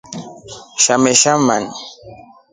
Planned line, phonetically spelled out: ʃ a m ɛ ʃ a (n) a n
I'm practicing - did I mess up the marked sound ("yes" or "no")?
yes